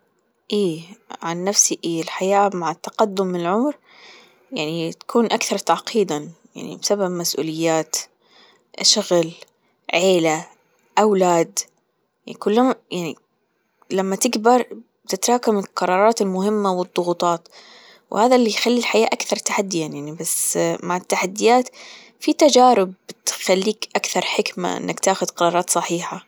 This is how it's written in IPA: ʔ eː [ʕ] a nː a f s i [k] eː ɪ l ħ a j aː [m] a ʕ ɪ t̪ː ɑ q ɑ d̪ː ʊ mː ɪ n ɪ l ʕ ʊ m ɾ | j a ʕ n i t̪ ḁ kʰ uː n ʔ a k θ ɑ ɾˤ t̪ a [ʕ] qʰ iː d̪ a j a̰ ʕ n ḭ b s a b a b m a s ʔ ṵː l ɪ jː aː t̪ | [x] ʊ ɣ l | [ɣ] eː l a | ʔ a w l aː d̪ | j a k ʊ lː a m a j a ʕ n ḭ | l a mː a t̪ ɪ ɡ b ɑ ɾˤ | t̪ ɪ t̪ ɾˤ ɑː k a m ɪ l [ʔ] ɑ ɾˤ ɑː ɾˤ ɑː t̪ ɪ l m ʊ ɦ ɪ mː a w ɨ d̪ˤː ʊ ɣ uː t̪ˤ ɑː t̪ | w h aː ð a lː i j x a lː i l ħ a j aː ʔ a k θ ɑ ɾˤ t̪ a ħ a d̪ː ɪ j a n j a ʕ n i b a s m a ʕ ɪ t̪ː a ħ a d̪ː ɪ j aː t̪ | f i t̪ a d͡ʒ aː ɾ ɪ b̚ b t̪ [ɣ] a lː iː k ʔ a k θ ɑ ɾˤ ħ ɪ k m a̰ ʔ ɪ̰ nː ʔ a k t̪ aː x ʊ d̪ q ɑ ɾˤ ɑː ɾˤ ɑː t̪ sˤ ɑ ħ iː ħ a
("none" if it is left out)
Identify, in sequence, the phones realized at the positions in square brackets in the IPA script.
ʕ, ʔ, m, ʕ, ʃ, ʕ, q, x

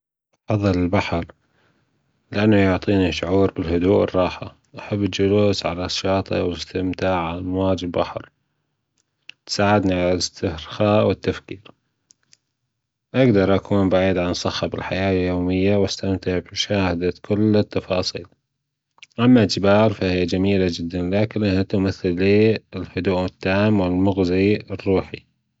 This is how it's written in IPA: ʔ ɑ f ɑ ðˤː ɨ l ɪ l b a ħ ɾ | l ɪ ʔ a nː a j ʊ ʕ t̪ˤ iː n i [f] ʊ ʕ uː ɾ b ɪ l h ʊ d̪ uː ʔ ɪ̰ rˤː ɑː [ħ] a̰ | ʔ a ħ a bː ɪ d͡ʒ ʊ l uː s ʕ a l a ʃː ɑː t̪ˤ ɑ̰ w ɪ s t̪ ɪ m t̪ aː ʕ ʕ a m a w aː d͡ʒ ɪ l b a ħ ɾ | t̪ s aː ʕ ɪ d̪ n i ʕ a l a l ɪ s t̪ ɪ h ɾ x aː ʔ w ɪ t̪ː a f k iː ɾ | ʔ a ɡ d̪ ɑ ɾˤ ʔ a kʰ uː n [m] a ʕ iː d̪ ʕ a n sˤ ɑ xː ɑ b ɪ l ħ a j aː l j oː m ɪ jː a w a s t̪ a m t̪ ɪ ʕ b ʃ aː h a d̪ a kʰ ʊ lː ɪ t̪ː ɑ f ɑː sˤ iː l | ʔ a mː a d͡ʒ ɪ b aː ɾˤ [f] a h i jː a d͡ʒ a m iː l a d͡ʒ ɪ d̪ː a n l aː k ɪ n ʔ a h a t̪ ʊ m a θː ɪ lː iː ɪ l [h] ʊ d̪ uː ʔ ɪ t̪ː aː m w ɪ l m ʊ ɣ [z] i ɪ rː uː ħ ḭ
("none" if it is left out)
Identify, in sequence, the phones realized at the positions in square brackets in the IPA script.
ʃ, ħ, b, f, h, z

